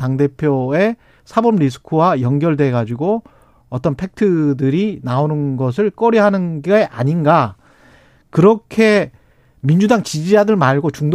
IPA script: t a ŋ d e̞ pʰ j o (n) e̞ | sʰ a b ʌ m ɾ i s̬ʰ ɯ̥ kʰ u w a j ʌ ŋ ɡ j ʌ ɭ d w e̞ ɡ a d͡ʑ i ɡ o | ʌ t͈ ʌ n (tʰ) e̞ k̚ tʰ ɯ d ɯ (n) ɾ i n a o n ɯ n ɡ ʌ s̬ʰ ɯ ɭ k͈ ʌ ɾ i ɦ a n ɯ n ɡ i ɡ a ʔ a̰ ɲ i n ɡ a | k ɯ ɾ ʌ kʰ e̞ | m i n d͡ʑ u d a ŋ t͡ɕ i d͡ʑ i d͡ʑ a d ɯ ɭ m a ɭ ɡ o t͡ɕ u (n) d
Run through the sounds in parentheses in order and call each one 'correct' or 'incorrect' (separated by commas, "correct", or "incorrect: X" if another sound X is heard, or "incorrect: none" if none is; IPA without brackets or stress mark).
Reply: incorrect: none, incorrect: pʰ, incorrect: none, incorrect: ŋ